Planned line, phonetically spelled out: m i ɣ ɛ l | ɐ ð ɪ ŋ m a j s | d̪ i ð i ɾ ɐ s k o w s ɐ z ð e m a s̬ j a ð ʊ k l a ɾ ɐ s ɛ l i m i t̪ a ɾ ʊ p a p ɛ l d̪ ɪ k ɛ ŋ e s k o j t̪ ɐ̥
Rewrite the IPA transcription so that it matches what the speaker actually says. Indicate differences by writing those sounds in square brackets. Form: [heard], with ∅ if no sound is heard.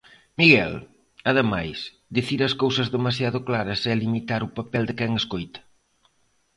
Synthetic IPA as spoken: m i ɣ ɛ l | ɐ ð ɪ [∅] m a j s | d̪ i [θ] i ɾ ɐ s k o w s ɐ z ð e m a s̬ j a ð ʊ k l a ɾ ɐ s ɛ l i m i t̪ a ɾ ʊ p a p ɛ l d̪ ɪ k ɛ ŋ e s k o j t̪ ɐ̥